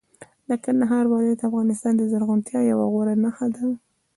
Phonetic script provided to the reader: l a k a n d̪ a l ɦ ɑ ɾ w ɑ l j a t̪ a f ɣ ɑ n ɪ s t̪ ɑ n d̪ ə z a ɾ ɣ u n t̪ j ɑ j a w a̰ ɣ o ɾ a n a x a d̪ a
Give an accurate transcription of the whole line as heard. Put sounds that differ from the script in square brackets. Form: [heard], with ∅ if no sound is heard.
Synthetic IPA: l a k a n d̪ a [∅] ɦ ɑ ɾ w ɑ l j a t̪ a f ɣ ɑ n ɪ s t̪ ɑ n d̪ ə z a ɾ ɣ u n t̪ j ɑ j a w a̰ ɣ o ɾ a n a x a d̪ a